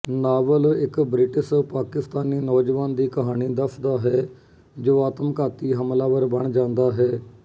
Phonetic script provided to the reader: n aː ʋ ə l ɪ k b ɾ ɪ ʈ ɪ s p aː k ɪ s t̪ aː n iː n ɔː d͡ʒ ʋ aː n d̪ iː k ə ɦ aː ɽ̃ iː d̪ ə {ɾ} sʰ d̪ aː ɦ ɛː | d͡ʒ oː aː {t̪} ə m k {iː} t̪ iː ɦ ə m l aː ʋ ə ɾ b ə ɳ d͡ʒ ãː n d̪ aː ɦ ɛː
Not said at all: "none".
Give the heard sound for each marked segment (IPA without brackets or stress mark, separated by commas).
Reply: none, t̪, aː